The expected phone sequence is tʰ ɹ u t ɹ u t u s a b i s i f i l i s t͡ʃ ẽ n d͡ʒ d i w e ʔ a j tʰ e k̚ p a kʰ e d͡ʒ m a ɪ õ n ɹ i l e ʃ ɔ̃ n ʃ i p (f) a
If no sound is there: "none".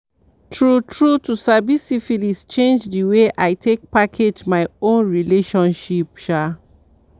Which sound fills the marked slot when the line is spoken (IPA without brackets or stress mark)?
ʃ